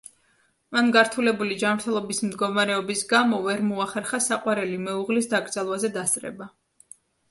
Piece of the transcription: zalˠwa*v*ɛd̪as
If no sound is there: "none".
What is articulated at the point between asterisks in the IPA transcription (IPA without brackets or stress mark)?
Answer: z